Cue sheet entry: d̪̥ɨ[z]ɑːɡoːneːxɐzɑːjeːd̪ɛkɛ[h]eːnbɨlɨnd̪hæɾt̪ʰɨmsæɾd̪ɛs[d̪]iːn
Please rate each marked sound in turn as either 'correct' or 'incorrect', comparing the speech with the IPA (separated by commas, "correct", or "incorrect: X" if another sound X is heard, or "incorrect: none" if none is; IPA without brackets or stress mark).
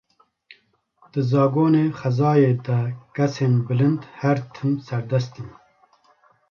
correct, incorrect: s, incorrect: t̪